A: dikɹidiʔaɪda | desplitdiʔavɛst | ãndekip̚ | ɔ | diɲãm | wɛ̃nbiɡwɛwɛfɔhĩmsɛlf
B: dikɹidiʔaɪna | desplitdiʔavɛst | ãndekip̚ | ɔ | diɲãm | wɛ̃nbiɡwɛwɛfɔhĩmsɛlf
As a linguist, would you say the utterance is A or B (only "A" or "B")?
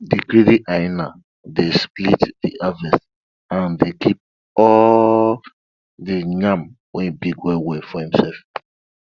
B